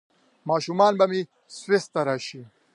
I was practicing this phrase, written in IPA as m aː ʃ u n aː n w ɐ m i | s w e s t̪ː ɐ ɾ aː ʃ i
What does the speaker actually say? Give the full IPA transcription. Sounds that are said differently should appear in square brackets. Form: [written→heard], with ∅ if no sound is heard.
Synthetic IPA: m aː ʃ u [n→m] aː n [w→b] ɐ m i | s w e s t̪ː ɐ ɾ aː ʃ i